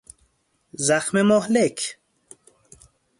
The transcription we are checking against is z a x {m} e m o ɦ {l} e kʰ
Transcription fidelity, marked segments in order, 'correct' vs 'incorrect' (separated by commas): correct, correct